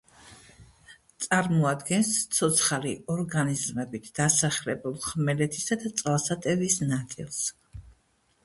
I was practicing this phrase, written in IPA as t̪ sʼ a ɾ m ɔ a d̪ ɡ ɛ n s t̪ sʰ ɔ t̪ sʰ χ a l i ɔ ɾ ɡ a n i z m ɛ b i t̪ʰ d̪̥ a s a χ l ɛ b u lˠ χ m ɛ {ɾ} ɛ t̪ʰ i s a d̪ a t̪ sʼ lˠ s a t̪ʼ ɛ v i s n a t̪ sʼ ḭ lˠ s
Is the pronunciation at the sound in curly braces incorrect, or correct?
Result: incorrect